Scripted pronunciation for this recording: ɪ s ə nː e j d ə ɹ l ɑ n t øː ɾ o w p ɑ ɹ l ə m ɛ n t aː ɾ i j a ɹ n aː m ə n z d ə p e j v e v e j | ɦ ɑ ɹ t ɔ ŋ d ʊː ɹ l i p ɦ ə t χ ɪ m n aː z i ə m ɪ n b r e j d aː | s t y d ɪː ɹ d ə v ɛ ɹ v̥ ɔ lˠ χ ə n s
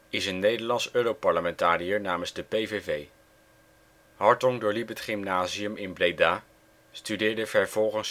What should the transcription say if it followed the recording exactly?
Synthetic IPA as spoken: ɪ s ə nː e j d ə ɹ l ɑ n s øː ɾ o w p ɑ ɹ l ə m ɛ n t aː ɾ i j ə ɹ n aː m ə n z d ə p e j v e v e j | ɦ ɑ ɹ t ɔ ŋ d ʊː ɹ l i p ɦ ə t χ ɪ m n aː z i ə m ɪ n b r e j d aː | s t y d ɪː ɹ d ə v ɛ ɹ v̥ ɔ lˠ χ ə n s